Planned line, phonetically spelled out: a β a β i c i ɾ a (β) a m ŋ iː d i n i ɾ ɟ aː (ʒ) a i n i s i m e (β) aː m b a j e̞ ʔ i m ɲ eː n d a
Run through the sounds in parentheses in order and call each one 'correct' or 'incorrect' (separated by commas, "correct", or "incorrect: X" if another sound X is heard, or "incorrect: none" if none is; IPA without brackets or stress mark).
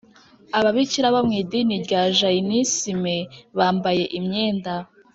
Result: correct, correct, correct